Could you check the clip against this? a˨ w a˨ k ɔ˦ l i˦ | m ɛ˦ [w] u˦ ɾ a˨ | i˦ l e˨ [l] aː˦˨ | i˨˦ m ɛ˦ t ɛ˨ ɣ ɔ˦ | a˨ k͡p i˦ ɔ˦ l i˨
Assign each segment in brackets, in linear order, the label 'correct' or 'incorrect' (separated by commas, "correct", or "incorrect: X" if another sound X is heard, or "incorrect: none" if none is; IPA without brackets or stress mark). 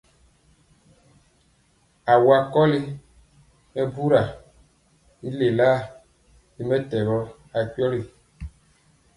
incorrect: b, correct